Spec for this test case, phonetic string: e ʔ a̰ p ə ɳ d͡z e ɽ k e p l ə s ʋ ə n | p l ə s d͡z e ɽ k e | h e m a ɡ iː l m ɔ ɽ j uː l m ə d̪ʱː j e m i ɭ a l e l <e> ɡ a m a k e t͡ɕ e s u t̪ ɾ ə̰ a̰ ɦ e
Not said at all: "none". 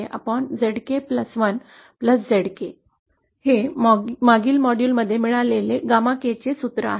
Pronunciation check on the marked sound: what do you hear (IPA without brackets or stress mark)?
e